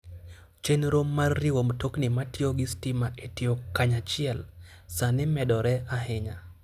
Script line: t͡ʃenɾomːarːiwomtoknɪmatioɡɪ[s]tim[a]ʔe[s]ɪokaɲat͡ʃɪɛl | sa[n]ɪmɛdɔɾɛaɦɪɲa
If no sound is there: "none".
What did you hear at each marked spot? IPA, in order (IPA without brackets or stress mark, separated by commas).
s, a, t, n